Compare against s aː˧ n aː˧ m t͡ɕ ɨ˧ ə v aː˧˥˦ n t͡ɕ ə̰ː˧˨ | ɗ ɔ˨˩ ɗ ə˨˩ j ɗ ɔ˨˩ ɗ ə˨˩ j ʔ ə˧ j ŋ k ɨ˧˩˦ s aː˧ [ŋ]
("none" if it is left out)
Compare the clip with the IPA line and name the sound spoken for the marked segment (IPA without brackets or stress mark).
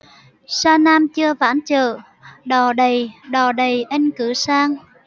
ŋ